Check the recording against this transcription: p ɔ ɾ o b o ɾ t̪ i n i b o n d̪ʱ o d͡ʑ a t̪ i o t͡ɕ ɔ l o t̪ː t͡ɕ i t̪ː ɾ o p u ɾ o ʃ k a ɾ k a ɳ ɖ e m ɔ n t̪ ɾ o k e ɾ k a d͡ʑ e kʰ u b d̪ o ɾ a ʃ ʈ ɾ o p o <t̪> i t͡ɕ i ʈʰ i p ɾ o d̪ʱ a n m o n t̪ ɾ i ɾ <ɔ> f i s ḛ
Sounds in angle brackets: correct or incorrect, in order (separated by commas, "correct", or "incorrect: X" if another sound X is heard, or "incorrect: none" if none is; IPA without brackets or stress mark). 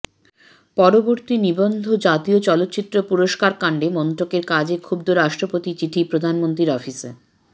correct, correct